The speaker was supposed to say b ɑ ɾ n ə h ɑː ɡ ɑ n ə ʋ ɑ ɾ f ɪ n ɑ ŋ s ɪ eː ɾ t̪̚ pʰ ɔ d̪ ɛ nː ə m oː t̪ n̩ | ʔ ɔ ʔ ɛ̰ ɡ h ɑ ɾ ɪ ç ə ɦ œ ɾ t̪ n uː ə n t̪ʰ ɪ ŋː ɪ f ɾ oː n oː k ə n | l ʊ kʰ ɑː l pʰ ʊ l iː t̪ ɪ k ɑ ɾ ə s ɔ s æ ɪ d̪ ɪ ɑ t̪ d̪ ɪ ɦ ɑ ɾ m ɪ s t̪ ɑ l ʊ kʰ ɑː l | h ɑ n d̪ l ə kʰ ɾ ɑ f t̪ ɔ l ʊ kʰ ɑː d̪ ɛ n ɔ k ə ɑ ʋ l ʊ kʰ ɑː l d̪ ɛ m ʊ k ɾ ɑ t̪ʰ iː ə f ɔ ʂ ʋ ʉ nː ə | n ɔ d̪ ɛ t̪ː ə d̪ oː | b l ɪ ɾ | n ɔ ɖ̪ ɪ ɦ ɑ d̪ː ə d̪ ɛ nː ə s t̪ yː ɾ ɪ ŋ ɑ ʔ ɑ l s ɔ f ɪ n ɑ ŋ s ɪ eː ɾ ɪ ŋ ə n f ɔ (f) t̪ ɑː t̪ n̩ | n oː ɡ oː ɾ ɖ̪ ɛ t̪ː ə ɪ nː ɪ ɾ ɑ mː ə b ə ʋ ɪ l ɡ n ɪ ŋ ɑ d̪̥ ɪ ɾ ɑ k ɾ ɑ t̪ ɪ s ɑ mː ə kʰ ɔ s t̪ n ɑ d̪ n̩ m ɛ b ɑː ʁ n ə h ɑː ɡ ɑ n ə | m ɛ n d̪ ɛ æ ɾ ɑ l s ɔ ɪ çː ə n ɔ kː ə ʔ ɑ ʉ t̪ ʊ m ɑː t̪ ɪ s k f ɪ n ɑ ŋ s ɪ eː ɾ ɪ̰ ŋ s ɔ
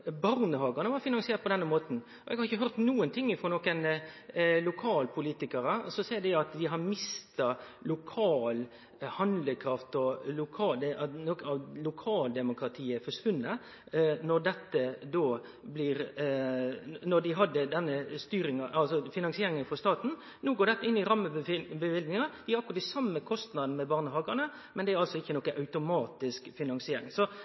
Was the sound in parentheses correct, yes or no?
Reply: no